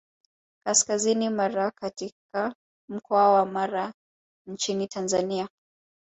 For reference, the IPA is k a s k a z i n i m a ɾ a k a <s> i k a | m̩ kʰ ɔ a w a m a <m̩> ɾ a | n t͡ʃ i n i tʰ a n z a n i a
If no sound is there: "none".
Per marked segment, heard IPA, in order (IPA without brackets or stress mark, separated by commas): t, none